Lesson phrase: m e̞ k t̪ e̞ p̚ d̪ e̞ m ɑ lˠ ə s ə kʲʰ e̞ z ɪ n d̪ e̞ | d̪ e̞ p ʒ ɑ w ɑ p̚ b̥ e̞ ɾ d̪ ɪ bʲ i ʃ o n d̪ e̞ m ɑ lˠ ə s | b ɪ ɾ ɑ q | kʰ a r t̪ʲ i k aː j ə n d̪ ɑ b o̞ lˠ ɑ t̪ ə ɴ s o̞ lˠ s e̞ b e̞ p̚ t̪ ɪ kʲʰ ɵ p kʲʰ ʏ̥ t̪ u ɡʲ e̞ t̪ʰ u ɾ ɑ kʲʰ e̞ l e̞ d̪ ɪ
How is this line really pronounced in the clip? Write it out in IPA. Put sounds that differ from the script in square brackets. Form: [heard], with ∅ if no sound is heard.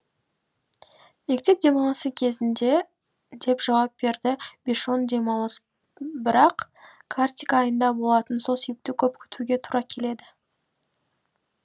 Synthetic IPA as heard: m e̞ k t̪ e̞ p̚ d̪ e̞ m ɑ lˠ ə s ə kʲʰ e̞ z ɪ n d̪ e̞ | d̪ e̞ p ʒ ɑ w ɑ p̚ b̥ e̞ ɾ d̪ ɪ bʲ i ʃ o n d̪ e̞ m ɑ lˠ ə s | b ɪ ɾ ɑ q | kʰ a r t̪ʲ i k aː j ə n d̪ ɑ b o̞ lˠ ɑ t̪ ə [n] s o̞ lˠ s e̞ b e̞ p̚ t̪ ɪ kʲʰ ɵ p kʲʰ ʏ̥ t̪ u ɡʲ e̞ t̪ʰ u ɾ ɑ kʲʰ e̞ l e̞ d̪ ɪ